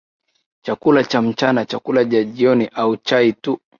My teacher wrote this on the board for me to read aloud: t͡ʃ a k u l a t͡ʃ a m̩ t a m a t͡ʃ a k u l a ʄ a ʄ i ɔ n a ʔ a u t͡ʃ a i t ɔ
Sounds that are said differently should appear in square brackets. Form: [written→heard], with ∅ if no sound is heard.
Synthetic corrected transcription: t͡ʃ a k u l a t͡ʃ a m̩ [t→t͡ʃ] a [m→n] a t͡ʃ a k u l a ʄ a ʄ i ɔ n [a→i] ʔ a u t͡ʃ a i t [ɔ→u]